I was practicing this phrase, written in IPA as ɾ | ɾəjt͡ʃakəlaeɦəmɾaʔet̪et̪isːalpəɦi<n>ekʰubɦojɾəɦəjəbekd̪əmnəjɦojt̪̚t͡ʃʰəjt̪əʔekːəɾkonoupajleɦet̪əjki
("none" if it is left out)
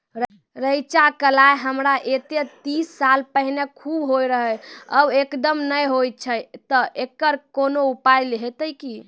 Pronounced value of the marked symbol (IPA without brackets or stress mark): n